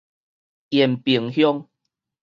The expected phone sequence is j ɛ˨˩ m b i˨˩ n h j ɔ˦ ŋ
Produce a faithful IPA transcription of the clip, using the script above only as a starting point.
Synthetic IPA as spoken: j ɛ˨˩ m p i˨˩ ŋ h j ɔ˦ ŋ